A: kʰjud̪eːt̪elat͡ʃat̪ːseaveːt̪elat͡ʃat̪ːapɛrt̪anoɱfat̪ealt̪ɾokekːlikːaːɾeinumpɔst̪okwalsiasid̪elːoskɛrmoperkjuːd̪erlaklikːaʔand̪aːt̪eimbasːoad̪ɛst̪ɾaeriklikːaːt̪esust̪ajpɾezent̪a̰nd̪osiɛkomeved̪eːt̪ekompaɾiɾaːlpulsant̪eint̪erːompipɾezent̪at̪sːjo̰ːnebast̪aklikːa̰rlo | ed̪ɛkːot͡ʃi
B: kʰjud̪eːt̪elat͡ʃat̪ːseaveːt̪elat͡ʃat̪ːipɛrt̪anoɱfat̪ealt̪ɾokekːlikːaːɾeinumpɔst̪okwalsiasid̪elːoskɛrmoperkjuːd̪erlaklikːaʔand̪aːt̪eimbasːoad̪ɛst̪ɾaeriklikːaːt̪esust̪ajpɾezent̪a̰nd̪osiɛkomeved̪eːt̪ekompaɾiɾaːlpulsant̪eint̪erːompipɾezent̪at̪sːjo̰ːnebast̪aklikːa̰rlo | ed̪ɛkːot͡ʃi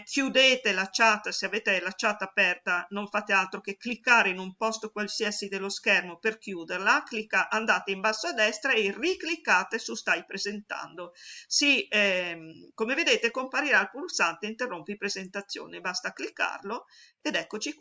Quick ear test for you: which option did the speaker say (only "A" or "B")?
A